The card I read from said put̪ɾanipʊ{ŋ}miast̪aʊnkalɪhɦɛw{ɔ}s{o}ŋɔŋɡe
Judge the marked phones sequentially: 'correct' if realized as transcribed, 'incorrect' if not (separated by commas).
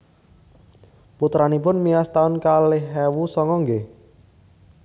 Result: incorrect, incorrect, incorrect